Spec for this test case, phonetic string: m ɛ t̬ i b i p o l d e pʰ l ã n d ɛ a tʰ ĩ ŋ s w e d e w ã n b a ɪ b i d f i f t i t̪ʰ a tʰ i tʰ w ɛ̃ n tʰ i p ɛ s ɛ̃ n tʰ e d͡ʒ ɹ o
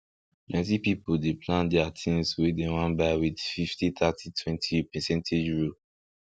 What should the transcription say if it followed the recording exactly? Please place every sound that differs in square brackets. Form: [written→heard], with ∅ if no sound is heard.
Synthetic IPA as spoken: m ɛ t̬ i [b→p] i p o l d e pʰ l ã n d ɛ a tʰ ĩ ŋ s w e d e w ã n b a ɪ [b→w] i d f i f t i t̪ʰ a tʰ i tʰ w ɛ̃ n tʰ i p ɛ s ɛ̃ n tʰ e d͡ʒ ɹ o